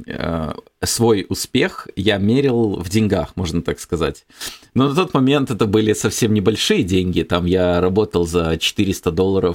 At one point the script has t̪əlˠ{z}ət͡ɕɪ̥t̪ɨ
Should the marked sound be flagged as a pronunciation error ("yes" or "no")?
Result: no